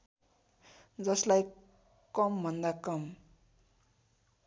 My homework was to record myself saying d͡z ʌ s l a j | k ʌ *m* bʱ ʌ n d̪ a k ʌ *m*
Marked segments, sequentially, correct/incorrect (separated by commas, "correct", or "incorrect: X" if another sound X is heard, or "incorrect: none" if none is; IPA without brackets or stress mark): correct, correct